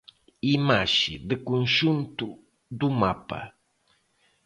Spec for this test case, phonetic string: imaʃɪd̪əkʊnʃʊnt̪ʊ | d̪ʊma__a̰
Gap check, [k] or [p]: p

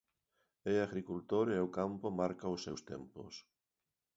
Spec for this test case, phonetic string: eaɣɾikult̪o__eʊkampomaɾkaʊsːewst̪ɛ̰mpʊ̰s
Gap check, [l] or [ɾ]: ɾ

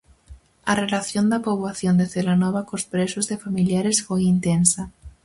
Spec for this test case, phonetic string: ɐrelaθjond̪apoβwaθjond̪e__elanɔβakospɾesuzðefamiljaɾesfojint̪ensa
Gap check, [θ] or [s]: θ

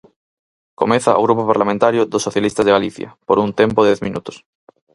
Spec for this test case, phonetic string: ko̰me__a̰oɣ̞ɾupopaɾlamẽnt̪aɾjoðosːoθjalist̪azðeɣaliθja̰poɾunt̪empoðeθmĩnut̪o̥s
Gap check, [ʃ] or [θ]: θ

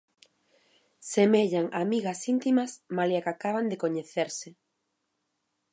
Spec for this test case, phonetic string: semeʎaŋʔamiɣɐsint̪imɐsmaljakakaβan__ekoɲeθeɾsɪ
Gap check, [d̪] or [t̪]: d̪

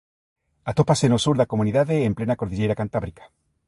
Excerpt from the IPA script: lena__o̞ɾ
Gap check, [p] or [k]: k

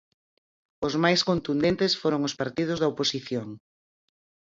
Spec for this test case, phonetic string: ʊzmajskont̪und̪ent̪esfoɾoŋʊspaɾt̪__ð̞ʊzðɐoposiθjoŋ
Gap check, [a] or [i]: i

